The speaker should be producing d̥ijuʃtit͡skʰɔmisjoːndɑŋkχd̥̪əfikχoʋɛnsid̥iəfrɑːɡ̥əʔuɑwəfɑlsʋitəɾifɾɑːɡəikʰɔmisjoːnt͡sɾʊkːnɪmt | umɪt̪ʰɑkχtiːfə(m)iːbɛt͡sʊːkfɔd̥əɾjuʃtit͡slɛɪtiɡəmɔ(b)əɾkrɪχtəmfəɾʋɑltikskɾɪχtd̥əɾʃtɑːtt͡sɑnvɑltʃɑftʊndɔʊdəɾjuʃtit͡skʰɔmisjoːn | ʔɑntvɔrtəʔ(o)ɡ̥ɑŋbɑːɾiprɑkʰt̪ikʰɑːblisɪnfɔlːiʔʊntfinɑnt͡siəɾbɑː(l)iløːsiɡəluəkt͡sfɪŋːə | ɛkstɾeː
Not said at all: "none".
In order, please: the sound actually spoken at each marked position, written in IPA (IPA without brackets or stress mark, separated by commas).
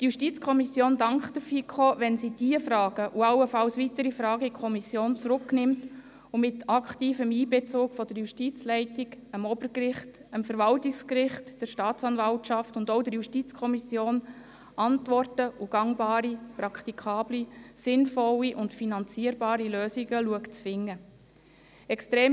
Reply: m, b, u, ɾ